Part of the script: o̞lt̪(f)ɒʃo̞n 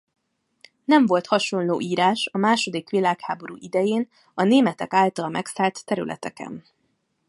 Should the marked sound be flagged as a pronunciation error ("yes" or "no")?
yes